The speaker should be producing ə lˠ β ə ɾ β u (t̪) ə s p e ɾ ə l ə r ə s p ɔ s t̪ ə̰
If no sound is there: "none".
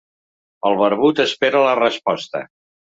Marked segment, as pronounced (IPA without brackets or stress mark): t̪